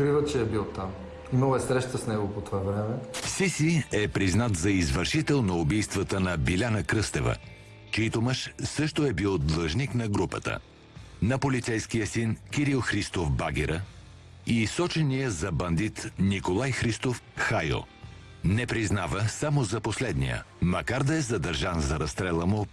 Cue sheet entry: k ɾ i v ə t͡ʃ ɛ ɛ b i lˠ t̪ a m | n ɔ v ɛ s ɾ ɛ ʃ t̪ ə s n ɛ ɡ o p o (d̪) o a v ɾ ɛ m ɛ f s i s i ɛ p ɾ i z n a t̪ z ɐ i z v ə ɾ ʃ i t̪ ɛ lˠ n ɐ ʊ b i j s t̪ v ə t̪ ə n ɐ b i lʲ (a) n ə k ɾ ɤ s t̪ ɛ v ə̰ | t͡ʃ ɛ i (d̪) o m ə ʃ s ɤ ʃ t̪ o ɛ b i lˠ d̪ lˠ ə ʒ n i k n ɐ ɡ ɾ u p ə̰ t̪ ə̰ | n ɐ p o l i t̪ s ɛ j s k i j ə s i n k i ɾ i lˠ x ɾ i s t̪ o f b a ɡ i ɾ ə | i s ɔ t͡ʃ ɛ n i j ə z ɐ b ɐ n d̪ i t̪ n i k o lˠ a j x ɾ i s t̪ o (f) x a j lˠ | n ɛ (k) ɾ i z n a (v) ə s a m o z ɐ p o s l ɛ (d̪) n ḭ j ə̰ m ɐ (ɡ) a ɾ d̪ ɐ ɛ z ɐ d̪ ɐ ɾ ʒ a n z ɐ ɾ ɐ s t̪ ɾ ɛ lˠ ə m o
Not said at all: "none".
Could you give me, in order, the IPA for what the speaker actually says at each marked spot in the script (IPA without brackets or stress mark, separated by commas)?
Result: t̪, a, t̪, f, p, v, d̪, k